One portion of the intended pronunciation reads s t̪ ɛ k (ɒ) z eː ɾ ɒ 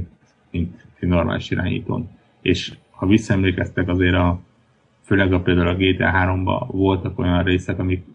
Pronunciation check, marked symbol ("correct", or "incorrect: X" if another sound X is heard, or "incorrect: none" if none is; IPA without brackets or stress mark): correct